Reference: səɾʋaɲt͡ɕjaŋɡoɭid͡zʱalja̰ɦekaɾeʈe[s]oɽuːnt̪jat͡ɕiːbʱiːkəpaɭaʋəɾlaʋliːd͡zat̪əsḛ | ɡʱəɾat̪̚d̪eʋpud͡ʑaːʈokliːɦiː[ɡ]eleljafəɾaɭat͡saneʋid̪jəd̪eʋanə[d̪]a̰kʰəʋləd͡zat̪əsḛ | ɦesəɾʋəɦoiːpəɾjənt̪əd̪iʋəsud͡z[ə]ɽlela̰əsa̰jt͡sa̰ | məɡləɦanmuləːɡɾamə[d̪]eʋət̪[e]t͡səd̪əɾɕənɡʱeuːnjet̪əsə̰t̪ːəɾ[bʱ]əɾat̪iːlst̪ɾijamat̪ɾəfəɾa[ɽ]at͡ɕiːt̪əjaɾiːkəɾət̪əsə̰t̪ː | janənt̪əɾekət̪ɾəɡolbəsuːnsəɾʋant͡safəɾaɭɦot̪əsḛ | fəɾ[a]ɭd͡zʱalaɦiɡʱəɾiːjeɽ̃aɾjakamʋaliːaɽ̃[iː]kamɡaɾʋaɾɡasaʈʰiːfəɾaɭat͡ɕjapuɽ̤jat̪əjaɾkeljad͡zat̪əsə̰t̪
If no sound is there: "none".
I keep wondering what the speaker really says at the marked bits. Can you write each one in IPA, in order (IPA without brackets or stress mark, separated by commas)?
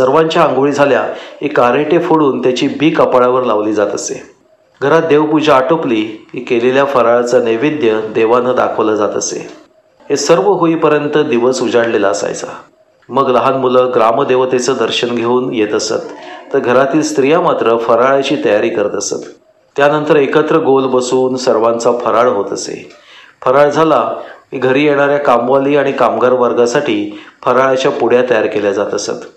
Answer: f, k, d̪, a, d̪, e, ɡʱ, ɭ, a, i